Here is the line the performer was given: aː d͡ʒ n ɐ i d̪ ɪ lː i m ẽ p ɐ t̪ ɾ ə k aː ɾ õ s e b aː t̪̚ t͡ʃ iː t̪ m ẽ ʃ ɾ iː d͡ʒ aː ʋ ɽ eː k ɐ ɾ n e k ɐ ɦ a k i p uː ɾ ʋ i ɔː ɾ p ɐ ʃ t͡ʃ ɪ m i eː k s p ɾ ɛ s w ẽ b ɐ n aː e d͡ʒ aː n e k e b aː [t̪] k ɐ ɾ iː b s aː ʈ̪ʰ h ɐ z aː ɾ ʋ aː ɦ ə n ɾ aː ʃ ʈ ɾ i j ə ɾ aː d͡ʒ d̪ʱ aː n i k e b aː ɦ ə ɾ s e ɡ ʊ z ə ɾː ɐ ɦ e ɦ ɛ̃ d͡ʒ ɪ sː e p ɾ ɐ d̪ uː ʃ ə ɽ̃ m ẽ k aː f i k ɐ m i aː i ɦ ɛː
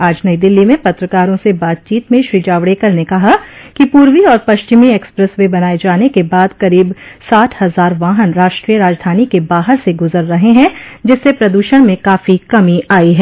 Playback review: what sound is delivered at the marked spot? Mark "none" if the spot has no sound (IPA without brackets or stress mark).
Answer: d̪